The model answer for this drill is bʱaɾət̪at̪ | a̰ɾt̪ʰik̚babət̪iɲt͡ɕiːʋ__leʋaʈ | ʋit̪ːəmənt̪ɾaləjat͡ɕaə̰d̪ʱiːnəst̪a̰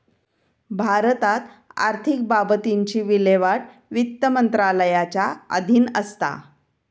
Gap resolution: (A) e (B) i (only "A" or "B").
B